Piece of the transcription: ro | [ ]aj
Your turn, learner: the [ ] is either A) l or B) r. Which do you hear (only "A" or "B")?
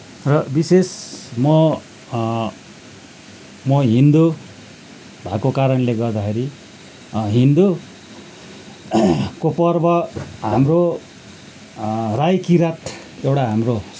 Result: B